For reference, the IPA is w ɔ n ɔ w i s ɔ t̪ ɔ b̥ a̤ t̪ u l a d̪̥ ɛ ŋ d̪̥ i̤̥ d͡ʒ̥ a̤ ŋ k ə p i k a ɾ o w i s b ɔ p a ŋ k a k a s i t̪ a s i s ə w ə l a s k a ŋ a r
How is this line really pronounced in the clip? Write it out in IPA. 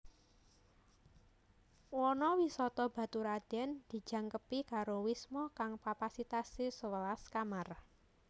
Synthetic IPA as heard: w ɔ n ɔ w i s ɔ t̪ ɔ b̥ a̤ t̪ u ɾ a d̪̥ ɛ n d̪̥ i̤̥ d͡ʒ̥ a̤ ŋ k ə p i k a ɾ o w i s m ɔ k a ŋ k a p a s i t̪ a s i s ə w ə l a s k a m a r